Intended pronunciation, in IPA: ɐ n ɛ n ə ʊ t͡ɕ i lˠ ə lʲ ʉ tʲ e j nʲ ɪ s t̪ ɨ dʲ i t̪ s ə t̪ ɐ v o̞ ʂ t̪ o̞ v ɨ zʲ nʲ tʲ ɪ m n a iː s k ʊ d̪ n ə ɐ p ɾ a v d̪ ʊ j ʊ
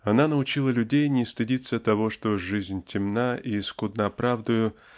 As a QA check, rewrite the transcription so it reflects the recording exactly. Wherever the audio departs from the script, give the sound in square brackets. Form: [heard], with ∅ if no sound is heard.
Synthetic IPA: ɐ n [a] n ə ʊ t͡ɕ i lˠ ə lʲ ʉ [dʲ] e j nʲ ɪ s t̪ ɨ dʲ i t̪ s ə t̪ ɐ v o̞ ʂ t̪ o̞ [ʐ] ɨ zʲ nʲ tʲ ɪ m n a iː s k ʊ d̪ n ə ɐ p ɾ a v d̪ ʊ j ʊ